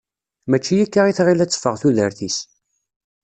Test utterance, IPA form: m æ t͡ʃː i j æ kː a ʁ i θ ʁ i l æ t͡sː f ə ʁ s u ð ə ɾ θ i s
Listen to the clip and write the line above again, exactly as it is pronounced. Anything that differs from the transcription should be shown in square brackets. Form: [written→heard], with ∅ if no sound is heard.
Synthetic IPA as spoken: m æ t͡ʃː i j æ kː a ʁ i θ ʁ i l æ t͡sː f ə ʁ [s→θ] u ð ə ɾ θ i s